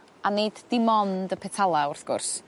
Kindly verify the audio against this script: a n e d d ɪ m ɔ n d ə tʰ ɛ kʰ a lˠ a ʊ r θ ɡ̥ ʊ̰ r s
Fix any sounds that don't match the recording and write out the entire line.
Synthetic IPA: a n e d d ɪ m ɔ n d ə pʰ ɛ tʰ a lˠ a ʊ r θ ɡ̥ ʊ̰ r s